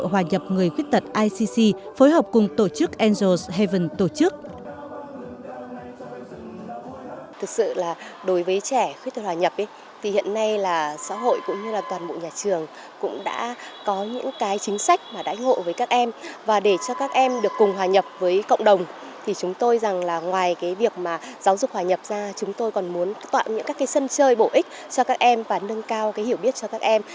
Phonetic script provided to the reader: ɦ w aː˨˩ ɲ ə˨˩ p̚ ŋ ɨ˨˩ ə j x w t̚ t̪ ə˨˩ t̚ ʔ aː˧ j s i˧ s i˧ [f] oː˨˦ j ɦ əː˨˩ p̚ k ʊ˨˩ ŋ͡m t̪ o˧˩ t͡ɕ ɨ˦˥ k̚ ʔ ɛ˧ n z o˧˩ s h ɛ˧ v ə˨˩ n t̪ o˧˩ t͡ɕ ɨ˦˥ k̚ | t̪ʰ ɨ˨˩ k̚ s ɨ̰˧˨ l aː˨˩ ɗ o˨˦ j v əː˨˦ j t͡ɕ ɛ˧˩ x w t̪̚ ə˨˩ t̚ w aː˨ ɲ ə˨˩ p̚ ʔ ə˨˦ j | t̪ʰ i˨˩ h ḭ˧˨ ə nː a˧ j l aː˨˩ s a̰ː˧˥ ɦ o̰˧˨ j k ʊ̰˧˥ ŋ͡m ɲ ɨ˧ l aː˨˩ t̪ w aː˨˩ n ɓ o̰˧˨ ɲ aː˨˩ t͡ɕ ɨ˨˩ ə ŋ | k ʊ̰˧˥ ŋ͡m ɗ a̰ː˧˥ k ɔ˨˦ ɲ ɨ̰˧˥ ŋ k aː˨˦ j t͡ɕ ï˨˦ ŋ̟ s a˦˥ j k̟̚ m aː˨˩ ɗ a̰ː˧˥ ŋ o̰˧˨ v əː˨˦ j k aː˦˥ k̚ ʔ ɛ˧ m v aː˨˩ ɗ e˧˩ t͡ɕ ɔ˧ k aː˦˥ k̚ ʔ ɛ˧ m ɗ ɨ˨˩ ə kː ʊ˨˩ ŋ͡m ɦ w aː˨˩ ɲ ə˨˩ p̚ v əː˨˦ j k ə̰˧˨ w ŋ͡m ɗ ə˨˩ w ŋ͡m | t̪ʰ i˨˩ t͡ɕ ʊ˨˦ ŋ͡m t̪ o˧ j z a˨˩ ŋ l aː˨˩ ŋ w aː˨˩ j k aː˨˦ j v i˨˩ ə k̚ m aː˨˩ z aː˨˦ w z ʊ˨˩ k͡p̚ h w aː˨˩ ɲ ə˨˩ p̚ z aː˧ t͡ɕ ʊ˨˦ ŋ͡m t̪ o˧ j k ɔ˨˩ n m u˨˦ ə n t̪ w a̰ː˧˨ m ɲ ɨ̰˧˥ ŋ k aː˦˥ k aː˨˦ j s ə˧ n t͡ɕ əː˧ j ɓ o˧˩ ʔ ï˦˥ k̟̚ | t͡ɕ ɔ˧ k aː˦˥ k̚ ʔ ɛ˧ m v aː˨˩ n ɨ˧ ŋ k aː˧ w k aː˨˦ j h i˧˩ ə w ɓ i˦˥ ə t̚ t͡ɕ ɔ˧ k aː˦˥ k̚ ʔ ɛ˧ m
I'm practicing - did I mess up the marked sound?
no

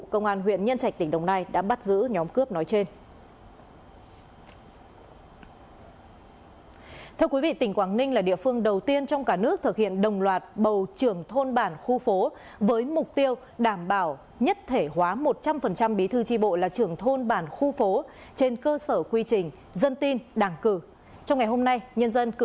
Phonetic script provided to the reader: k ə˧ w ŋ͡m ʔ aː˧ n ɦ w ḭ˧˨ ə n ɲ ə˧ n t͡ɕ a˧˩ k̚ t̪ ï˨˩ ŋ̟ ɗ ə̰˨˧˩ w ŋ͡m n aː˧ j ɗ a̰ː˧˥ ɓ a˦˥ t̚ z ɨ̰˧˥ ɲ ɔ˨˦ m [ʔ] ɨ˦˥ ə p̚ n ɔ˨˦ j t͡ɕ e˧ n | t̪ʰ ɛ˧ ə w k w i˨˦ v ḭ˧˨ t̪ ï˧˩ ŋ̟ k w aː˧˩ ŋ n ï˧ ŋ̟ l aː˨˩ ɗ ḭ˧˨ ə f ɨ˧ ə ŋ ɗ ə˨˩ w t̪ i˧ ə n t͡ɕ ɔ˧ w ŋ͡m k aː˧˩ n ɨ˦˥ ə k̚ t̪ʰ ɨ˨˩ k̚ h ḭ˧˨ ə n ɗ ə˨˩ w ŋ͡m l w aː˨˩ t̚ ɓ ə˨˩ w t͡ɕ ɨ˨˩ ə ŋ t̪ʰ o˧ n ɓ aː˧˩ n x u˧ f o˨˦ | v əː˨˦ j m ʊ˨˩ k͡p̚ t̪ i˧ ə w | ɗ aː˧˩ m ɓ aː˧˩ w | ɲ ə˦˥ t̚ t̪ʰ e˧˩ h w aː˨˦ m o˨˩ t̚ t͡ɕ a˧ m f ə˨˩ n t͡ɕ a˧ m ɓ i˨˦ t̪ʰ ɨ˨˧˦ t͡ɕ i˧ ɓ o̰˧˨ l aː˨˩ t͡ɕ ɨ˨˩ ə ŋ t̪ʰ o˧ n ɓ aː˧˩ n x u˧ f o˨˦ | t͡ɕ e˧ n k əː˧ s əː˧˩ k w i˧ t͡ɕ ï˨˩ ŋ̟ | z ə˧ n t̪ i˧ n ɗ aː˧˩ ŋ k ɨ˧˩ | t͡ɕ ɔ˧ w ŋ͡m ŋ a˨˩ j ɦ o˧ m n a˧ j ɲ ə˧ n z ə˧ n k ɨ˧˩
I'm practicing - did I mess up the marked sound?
yes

